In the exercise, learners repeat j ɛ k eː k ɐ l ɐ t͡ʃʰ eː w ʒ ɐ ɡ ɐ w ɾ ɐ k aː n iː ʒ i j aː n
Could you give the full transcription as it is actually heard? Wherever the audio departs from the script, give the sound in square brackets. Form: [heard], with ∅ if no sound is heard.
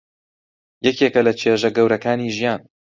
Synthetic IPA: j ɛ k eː k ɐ l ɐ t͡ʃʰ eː [∅] ʒ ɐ ɡ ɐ w ɾ ɐ k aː n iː ʒ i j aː n

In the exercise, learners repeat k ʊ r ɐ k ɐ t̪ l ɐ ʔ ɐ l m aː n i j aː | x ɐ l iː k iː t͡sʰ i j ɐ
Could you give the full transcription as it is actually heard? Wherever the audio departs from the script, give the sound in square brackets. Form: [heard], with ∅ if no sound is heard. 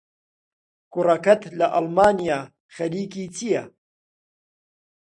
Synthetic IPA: k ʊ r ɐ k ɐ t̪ l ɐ ʔ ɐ l m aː n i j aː | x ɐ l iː k iː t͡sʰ i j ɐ

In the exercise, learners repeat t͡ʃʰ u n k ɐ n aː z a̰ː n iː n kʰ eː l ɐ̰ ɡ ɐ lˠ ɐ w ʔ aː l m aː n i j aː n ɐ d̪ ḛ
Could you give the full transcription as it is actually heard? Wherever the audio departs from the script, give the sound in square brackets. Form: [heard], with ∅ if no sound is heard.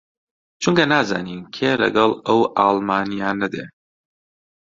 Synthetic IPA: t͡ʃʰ u [ŋ] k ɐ n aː z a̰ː n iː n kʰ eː l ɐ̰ ɡ ɐ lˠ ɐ w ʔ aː l m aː n i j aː n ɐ d̪ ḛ

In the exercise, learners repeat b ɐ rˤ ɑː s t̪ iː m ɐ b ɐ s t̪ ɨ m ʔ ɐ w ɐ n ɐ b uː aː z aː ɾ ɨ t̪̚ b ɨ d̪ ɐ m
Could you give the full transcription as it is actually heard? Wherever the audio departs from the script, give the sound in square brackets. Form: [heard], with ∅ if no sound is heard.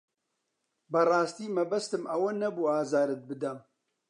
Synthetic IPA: b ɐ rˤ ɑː s t̪ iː m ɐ b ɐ s t̪ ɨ m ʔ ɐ w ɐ n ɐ b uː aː z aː ɾ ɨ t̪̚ b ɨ d̪ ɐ m

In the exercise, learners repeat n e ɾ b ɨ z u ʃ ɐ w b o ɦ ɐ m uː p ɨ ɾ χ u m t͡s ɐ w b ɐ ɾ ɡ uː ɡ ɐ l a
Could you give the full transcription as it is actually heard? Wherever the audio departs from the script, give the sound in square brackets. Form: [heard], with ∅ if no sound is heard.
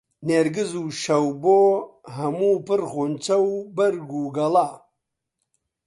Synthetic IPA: n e ɾ [ɡ] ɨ z u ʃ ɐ w b o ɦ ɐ m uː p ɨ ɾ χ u [n] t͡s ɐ w b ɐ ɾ ɡ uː ɡ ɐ l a

